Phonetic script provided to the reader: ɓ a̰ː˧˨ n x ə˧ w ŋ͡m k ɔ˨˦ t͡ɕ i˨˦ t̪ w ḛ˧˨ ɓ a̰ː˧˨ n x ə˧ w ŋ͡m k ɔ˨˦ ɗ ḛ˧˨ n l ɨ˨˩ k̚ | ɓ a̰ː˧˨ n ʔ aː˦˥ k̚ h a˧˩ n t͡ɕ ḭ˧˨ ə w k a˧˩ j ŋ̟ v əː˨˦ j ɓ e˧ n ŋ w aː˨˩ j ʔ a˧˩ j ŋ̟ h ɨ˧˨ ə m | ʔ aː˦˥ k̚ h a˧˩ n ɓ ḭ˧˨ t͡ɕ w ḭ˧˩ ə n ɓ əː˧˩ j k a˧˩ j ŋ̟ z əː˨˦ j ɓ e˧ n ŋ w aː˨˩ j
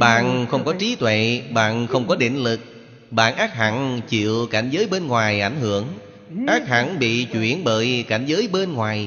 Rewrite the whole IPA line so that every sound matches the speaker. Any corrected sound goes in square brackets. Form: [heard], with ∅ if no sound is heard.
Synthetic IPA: ɓ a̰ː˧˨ n x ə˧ w ŋ͡m k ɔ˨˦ t͡ɕ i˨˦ t̪ w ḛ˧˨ ɓ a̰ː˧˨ n x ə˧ w ŋ͡m k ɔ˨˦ ɗ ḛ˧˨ n l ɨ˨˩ k̚ | ɓ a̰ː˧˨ n ʔ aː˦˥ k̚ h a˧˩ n t͡ɕ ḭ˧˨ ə w k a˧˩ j ŋ̟ [z] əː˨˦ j ɓ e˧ n ŋ w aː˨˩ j ʔ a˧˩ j ŋ̟ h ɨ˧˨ ə [ŋ] | ʔ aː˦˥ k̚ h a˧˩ n ɓ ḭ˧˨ t͡ɕ w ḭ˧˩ ə n ɓ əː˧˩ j k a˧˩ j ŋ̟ z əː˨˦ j ɓ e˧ n ŋ w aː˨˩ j